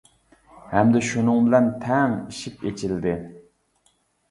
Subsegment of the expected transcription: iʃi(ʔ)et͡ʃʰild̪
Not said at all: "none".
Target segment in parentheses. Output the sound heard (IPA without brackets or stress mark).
p